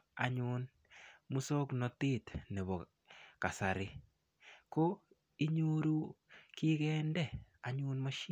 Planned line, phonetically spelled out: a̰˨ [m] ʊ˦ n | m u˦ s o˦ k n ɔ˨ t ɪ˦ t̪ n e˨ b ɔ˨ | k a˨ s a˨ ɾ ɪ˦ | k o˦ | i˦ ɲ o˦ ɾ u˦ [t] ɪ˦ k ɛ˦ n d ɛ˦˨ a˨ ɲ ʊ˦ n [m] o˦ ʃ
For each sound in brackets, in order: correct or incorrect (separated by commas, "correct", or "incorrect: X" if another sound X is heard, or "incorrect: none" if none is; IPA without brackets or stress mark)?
incorrect: ɲ, incorrect: k, correct